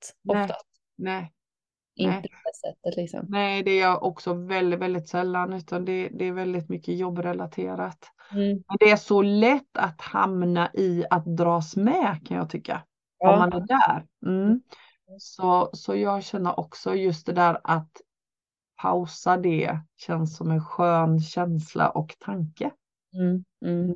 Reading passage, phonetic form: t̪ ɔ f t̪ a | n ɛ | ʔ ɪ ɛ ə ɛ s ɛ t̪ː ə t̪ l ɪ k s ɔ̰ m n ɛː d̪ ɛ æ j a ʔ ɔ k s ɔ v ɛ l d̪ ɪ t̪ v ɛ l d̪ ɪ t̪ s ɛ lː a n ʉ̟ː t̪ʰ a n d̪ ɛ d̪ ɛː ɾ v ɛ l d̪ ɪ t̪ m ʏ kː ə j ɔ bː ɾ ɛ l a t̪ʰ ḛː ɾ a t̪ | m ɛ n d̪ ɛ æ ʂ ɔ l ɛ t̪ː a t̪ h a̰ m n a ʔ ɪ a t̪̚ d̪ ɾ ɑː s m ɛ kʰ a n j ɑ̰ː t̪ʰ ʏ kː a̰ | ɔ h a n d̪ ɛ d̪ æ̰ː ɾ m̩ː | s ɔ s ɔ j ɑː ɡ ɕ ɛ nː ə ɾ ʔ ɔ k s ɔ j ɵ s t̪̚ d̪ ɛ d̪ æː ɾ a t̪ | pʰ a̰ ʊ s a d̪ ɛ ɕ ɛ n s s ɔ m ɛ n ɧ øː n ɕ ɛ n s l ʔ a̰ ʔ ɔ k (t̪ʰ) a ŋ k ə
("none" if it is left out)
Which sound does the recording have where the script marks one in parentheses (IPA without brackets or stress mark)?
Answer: t̪ʰ